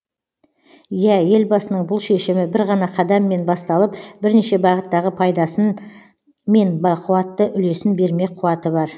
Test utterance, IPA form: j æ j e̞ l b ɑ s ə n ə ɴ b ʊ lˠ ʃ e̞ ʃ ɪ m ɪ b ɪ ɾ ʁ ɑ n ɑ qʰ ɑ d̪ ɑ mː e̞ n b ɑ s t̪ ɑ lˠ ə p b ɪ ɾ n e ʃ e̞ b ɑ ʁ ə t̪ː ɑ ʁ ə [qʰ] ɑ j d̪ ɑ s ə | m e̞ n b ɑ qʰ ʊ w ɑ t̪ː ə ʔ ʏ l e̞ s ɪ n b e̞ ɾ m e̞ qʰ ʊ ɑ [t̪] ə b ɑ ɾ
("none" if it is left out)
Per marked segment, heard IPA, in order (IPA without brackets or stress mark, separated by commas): pʰ, t̪